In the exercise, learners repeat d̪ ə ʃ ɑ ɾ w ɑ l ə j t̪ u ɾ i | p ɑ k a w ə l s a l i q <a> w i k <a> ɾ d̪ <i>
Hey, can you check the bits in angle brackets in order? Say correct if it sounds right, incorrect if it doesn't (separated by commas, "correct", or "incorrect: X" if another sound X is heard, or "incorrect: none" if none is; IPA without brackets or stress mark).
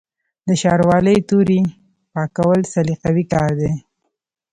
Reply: correct, incorrect: ɑ, incorrect: e